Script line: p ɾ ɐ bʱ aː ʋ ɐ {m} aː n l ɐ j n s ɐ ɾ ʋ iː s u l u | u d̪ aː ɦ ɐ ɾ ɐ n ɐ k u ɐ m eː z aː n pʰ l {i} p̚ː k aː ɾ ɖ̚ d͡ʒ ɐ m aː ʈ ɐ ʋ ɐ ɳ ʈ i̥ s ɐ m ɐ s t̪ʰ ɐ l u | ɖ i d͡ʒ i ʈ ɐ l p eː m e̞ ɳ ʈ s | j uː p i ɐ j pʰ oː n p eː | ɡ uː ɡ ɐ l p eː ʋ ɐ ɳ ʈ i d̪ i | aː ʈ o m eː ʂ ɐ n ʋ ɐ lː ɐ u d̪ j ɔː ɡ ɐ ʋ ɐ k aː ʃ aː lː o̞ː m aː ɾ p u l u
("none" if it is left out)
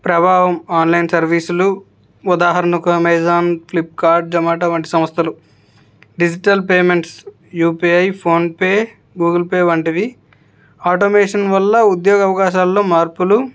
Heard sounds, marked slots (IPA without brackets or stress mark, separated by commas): m, i